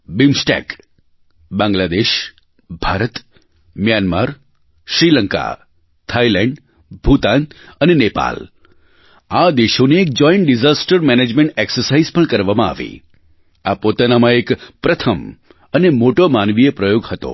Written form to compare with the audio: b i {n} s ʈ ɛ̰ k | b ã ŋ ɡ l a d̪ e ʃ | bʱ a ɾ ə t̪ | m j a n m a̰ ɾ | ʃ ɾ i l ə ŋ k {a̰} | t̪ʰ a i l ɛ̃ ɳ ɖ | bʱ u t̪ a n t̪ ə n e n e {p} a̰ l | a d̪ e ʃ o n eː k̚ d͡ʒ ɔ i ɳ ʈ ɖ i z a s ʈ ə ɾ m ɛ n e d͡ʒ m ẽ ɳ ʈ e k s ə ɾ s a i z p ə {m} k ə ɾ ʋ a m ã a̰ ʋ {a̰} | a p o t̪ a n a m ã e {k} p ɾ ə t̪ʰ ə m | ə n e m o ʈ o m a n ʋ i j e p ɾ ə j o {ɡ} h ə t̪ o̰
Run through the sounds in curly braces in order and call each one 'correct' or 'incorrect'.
incorrect: m, correct, correct, incorrect: ɳ, incorrect: ḭ, correct, correct

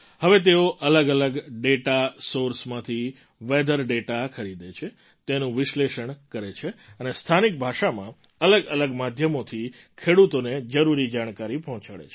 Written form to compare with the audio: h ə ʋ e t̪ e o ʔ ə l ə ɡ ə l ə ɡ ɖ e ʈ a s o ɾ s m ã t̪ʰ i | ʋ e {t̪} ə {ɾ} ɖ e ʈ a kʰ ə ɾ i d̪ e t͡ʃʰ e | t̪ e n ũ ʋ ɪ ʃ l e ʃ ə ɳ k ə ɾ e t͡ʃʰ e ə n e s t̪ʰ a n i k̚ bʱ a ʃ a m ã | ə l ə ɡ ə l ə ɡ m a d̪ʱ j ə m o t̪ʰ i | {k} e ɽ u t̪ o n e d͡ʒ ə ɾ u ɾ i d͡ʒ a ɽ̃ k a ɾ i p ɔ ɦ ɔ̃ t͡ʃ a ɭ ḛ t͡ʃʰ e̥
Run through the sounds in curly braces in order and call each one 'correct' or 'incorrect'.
incorrect: d̪, correct, incorrect: kʰ

